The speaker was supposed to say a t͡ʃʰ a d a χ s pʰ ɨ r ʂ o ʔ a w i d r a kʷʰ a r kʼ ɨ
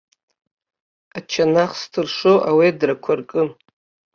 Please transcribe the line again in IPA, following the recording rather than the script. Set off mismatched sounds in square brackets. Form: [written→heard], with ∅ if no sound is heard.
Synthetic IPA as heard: a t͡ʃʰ a [d→n] a χ s [pʰ→tʰ] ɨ r ʂ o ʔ a w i d r a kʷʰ a r kʼ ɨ

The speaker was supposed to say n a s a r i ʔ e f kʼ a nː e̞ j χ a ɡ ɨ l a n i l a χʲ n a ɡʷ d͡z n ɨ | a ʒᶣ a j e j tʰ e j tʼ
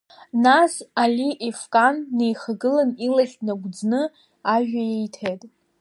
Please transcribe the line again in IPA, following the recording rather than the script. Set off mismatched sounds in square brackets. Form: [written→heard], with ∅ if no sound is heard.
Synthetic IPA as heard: n a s a [r→l] i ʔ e f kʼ a nː e̞ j χ a ɡ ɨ l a n i l a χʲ n a ɡʷ d͡z n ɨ | a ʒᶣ a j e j tʰ e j tʼ

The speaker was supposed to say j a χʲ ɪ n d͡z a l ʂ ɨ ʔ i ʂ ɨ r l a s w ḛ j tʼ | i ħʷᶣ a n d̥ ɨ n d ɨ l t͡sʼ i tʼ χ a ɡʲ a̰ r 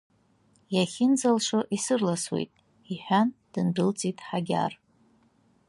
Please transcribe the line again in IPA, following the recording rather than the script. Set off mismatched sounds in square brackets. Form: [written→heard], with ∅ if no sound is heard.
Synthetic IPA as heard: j a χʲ ɪ n d͡z a l ʂ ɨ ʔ i [ʂ→s] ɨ r l a s w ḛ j tʼ | i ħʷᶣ a n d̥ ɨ n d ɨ l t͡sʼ i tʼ [χ→ħ] a ɡʲ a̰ r

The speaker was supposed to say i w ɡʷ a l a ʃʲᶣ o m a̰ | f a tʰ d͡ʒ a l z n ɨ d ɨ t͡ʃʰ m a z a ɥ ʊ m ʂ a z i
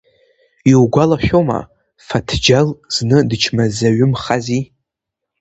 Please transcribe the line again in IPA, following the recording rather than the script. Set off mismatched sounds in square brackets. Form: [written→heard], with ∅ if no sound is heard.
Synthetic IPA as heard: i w ɡʷ a l a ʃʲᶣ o m a̰ | f a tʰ d͡ʒ a l z n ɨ d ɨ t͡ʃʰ m a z a ɥ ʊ m [ʂ→χ] a z i

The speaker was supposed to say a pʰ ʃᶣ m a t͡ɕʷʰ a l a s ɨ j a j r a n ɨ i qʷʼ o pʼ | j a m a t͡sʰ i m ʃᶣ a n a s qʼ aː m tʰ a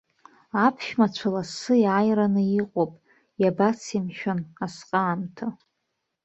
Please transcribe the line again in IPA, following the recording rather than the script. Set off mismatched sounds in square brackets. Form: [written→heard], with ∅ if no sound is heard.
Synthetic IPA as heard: a pʰ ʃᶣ m a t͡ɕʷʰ a l a s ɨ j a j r a n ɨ i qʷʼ o pʼ | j a [m→b] a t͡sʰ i m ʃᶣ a n a s qʼ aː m tʰ a

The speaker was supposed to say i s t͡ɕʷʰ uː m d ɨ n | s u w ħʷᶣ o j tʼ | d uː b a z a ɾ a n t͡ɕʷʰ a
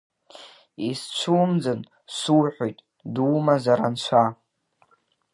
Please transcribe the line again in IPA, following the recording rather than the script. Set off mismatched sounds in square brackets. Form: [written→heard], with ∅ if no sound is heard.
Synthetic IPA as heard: i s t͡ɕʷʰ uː m [d→d͡z] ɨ n | s u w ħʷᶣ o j tʼ | d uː [b→m] a z a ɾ a n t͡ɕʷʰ a

